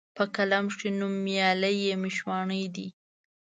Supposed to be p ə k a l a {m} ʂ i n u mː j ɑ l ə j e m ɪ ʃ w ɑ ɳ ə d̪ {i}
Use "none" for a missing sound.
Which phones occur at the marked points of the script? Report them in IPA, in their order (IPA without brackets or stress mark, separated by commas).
m, i